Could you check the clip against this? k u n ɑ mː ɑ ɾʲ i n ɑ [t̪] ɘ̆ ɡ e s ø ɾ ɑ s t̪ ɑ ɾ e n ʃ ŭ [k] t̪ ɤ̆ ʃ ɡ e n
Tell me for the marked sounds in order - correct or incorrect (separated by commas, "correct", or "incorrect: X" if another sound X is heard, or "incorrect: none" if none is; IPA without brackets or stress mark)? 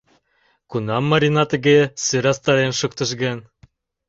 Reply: correct, correct